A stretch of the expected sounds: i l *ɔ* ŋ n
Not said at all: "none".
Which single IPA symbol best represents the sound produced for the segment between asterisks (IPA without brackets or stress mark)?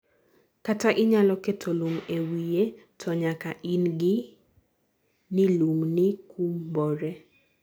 u